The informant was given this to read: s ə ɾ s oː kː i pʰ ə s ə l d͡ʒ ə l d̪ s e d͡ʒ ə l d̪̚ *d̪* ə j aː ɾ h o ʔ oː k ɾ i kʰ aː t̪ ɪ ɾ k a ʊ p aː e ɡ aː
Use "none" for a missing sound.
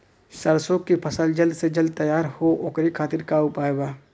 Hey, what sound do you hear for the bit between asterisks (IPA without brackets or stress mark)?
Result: t̪